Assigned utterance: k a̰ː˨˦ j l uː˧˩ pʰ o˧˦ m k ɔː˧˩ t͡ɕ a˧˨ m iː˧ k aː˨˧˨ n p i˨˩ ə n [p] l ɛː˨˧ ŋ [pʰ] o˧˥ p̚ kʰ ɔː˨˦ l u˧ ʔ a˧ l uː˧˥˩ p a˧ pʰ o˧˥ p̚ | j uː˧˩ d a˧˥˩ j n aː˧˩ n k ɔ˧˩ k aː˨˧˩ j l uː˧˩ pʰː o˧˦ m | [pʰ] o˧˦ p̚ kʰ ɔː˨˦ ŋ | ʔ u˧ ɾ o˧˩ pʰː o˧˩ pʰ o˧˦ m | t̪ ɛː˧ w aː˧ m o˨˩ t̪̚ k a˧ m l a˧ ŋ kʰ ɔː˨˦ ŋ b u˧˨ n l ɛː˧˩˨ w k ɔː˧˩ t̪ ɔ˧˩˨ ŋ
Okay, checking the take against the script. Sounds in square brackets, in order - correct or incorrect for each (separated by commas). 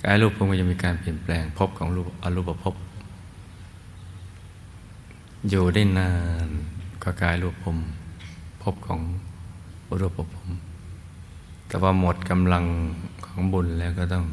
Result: correct, correct, correct